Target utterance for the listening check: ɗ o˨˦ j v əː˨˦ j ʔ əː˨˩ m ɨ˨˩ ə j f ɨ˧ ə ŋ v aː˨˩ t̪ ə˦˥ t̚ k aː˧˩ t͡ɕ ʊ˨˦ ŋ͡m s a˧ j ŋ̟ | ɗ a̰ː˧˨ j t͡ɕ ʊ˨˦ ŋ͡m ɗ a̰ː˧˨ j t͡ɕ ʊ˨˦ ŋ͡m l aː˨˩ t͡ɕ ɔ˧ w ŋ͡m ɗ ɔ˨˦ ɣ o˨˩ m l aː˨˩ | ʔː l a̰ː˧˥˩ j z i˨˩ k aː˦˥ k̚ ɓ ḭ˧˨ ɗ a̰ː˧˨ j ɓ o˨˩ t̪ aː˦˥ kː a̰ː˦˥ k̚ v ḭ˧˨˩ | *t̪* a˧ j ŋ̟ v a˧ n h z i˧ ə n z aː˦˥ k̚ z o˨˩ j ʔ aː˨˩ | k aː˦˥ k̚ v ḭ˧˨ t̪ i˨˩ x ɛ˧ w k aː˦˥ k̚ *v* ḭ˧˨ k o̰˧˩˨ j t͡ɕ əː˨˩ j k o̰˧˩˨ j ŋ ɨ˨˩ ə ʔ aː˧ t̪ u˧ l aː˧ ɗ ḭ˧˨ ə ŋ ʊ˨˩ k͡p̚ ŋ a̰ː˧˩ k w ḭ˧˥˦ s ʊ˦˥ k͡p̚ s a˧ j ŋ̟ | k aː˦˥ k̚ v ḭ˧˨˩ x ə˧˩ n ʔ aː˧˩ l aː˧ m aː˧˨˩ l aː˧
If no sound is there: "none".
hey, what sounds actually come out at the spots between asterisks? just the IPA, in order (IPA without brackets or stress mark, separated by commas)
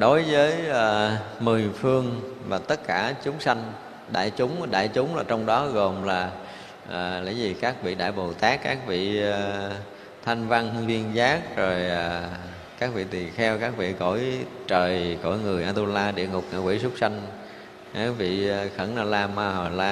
t̪ʰ, v